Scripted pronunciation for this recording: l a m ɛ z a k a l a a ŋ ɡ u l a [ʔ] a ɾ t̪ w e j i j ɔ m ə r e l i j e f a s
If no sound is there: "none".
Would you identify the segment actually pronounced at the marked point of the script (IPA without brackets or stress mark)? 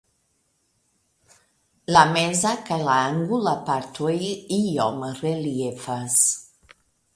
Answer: p